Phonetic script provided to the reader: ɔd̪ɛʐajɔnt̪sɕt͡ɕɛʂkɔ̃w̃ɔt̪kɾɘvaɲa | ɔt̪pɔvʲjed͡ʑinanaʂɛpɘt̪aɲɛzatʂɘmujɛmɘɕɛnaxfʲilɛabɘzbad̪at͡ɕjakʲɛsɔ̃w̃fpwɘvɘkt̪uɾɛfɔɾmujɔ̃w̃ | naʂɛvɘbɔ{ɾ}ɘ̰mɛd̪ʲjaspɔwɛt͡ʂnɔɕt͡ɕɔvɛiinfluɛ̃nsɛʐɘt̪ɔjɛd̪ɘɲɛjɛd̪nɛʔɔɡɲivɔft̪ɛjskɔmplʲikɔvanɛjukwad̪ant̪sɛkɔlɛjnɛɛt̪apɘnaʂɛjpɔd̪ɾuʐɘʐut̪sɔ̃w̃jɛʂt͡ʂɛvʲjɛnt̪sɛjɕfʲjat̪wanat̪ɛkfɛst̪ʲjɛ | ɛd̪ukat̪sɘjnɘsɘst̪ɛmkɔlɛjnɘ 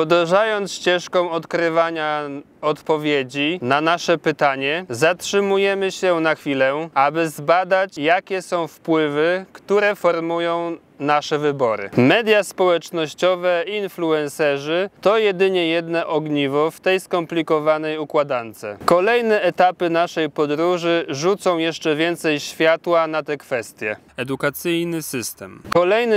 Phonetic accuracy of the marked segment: correct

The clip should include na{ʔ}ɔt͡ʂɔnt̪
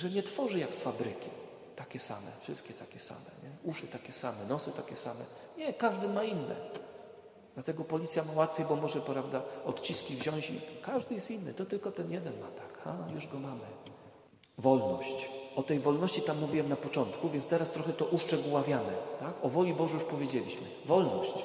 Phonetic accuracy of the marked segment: incorrect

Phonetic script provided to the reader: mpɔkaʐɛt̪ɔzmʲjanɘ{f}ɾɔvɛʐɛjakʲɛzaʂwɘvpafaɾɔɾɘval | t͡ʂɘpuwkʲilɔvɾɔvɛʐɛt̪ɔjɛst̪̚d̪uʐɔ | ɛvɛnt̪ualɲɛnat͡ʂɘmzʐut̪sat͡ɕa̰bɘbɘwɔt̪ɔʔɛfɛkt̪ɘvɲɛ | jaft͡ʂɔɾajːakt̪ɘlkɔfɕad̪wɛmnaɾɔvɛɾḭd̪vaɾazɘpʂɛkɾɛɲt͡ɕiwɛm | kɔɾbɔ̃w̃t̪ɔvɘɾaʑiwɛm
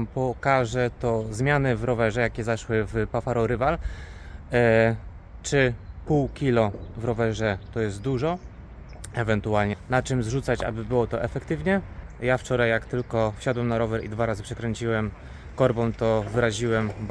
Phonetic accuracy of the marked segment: incorrect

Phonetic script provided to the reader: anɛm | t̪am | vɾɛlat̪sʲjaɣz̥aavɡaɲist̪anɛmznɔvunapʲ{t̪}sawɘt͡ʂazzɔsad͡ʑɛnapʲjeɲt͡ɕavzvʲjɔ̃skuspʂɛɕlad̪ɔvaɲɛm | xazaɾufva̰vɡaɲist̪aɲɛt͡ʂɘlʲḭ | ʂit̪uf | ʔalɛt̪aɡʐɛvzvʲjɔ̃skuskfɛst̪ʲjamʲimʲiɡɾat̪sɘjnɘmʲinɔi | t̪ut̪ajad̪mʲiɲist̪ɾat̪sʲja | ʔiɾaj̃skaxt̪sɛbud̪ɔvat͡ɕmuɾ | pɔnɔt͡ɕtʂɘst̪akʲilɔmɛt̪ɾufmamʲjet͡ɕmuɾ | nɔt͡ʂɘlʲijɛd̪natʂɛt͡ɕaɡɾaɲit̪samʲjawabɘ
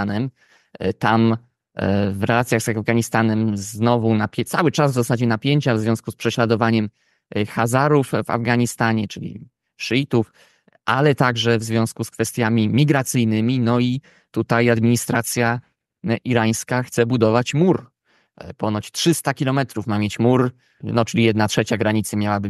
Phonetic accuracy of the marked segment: correct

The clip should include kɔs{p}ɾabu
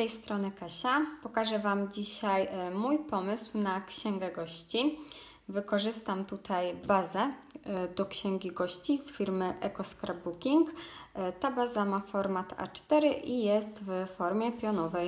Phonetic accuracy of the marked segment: incorrect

